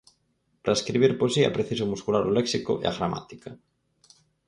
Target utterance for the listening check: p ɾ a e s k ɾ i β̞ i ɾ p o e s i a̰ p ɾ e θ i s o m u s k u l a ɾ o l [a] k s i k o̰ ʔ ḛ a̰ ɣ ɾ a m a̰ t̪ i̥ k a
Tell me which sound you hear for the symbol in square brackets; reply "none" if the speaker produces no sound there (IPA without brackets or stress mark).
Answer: e